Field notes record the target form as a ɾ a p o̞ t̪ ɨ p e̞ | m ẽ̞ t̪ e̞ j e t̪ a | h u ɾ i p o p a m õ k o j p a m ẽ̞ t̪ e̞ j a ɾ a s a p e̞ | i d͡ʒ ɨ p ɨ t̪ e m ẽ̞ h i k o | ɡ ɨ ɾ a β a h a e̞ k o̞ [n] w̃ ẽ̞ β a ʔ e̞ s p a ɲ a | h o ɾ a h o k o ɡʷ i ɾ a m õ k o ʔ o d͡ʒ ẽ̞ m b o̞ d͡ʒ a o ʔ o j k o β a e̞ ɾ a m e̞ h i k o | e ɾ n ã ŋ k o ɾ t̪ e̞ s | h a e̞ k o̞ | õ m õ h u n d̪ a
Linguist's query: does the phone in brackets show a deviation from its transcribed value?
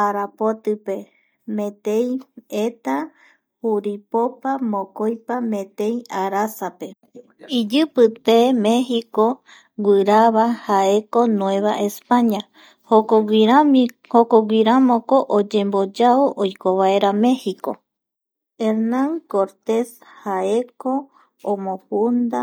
no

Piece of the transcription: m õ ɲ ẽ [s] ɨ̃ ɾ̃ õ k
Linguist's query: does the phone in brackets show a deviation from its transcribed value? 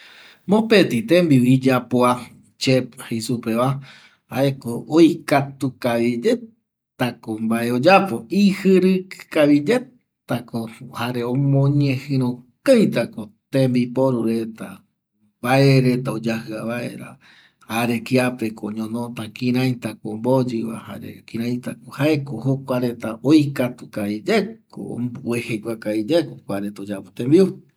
yes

